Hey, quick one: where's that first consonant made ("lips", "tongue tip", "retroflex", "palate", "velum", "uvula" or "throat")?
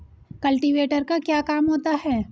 velum